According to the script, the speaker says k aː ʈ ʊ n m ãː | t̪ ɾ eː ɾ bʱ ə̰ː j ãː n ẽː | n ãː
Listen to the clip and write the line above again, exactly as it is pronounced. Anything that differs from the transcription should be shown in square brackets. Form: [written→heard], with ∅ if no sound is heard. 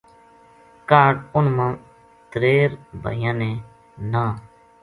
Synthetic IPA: k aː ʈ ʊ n m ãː | t̪ ɾ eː ɾ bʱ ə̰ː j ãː n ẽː | n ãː